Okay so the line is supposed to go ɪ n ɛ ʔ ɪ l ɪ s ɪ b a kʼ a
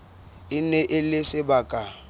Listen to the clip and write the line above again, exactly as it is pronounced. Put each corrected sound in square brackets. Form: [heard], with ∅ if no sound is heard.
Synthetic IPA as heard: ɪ n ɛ ʔ ɪ l ɪ s ɪ b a kʼ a